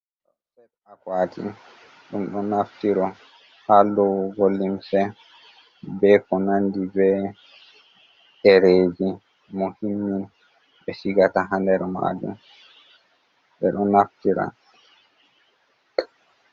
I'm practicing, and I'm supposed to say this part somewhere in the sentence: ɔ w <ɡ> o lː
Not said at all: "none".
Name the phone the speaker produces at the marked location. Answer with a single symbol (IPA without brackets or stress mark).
ɡ